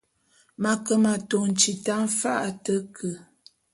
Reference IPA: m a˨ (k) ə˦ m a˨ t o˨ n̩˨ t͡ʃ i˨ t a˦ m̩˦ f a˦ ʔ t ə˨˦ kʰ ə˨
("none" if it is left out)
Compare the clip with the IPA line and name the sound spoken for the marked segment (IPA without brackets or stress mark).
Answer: k